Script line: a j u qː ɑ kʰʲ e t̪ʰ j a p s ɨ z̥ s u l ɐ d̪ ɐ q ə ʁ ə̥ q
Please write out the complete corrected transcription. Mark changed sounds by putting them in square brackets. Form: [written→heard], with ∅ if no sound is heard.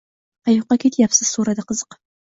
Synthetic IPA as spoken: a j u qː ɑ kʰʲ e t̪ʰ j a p s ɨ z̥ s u [l→ɾ] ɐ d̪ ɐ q ə [ʁ→z] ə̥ q

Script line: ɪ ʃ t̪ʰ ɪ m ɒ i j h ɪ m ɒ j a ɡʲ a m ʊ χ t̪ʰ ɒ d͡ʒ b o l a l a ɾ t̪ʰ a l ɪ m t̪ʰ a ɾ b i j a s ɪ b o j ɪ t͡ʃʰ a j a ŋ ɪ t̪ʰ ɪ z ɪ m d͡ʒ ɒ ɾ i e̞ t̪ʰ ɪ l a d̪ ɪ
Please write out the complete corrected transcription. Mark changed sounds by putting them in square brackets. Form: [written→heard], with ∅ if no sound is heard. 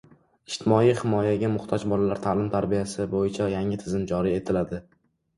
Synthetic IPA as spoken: ɪ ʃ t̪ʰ ɪ m ɒ i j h ɪ m ɒ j a ɡʲ a m ʊ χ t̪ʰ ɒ d͡ʒ b [o→ɒ] l a l a ɾ t̪ʰ a l ɪ m t̪ʰ a ɾ b i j a s ɪ b o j ɪ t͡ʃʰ a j a ŋ ɪ t̪ʰ ɪ z ɪ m d͡ʒ ɒ ɾ i e̞ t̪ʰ ɪ l a d̪ ɪ

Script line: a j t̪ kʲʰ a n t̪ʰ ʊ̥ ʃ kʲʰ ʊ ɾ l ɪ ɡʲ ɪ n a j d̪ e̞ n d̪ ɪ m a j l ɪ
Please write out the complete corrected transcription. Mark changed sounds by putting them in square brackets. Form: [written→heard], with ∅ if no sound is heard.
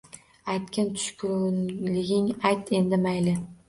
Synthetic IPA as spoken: a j t̪ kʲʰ a n t̪ʰ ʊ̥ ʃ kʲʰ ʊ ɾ l ɪ ɡʲ ɪ [n→ŋ] a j [d̪→t̪] e̞ n d̪ ɪ m a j l ɪ

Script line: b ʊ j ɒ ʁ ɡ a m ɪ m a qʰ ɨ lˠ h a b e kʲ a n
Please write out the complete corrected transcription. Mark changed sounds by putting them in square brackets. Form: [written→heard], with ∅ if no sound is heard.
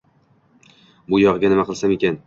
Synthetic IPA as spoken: b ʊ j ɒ ʁ ɡ a [m→n] ɪ m a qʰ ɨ lˠ [h→s] a [b→m] e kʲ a n

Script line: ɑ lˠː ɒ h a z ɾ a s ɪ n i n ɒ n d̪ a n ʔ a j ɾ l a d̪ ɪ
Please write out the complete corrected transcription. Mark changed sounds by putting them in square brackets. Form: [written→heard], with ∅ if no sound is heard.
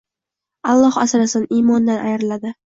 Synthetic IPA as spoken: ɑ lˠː ɒ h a [z→s] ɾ a s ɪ n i [n→m] ɒ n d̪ a n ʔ a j ɾ l a d̪ ɪ

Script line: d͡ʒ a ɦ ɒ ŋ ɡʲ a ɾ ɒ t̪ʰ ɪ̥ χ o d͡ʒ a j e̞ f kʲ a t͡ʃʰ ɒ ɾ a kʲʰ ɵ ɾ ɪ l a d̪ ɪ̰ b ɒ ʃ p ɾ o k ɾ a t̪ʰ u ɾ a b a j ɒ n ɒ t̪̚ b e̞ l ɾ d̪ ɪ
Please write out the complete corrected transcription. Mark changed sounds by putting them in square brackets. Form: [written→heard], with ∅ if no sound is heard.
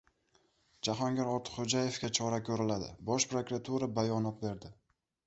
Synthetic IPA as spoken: d͡ʒ a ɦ ɒ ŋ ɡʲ a ɾ ɒ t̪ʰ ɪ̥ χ o d͡ʒ a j e̞ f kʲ a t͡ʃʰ ɒ ɾ a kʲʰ ɵ ɾ ɪ l a d̪ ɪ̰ b ɒ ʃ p ɾ o k ɾ a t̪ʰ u ɾ a b a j ɒ n ɒ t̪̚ b e̞ [l→∅] ɾ d̪ ɪ

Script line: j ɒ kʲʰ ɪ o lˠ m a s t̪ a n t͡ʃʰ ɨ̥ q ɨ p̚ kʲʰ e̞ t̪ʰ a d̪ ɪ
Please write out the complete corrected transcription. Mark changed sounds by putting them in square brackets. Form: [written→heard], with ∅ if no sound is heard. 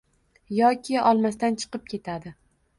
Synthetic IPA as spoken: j ɒ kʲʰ ɪ [o→ɒ] lˠ m a s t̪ a n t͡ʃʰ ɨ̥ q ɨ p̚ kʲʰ e̞ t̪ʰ a d̪ ɪ

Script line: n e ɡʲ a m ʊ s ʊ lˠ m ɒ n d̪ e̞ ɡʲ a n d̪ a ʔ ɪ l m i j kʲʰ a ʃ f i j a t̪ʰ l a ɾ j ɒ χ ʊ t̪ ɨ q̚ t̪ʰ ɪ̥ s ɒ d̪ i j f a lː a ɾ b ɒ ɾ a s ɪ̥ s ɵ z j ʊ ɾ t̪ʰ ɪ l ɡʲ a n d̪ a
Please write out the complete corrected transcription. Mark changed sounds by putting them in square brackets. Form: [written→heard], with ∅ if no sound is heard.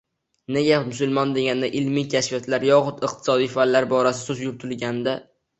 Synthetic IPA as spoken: n e ɡʲ a m ʊ s ʊ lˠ m ɒ n d̪ e̞ ɡʲ a n d̪ a ʔ ɪ l m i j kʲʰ a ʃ f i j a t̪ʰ l a ɾ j ɒ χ ʊ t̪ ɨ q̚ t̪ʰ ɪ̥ s ɒ d̪ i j f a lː a ɾ b ɒ ɾ a s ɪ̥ s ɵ z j ʊ ɾ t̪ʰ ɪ l ɡʲ a n d̪ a

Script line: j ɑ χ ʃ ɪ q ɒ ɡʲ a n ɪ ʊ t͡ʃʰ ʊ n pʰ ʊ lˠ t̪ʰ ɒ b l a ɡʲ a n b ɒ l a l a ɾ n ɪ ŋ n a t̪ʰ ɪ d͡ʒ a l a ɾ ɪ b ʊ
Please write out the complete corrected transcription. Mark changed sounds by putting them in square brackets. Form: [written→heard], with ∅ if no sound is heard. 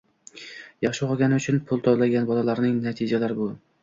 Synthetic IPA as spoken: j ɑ χ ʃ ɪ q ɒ ɡʲ a n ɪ ʊ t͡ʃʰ ʊ n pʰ ʊ lˠ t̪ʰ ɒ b l a ɡʲ a n b ɒ l a l a ɾ n ɪ ŋ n a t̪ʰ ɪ d͡ʒ a l a ɾ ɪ b ʊ

